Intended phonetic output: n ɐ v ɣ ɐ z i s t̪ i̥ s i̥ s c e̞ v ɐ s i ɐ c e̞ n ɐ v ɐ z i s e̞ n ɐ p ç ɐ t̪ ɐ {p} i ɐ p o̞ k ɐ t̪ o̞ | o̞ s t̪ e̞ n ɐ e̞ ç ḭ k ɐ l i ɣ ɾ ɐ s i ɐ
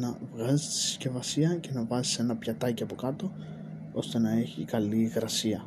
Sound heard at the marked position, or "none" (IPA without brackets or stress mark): c